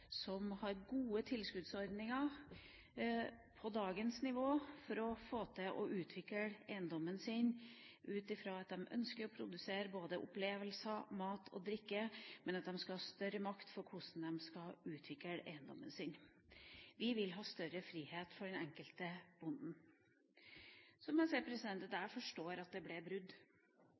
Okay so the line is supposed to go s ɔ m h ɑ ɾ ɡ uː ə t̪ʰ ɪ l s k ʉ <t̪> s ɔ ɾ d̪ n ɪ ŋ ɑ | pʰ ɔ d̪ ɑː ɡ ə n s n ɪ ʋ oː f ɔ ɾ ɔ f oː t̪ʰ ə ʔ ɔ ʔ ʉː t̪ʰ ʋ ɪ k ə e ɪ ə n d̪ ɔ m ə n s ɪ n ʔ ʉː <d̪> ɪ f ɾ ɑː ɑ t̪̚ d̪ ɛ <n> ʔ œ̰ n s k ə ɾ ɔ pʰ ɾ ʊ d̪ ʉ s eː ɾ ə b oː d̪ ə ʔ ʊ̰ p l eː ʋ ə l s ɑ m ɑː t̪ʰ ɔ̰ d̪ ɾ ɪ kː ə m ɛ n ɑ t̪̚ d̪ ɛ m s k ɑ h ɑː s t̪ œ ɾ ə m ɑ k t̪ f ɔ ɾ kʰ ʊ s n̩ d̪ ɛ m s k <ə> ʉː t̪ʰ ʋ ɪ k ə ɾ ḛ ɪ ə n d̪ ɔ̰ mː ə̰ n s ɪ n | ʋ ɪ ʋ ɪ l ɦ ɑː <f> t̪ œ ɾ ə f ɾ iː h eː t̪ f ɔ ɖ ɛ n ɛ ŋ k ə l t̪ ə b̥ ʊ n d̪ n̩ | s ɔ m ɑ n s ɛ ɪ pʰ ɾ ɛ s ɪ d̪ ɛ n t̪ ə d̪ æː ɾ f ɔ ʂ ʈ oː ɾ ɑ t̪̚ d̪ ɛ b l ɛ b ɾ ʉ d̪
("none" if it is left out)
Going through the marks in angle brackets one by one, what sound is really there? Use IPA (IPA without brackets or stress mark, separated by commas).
d̪, t̪, m, ɑ, s